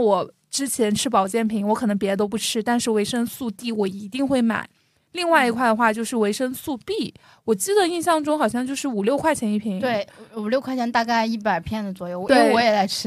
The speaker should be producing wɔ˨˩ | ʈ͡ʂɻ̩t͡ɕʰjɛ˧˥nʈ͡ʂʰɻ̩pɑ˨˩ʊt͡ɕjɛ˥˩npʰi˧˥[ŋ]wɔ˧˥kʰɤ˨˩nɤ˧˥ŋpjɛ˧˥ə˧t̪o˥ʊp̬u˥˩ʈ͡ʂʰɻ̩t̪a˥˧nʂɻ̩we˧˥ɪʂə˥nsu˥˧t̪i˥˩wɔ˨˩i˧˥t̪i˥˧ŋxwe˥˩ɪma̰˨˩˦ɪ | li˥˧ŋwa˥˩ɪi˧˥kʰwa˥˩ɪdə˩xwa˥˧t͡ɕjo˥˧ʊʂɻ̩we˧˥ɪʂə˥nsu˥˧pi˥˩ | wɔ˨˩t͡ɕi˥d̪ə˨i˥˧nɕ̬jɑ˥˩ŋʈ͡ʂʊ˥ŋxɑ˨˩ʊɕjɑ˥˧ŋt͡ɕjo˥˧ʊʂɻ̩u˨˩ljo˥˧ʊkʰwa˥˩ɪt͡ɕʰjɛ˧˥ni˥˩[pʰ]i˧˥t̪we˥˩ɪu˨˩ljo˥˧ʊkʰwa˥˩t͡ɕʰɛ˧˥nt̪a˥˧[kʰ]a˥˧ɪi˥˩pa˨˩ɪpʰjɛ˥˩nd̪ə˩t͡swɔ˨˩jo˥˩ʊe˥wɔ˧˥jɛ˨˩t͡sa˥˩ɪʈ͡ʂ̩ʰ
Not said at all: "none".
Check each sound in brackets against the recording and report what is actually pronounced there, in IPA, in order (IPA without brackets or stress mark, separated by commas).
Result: ŋ, pʰ, k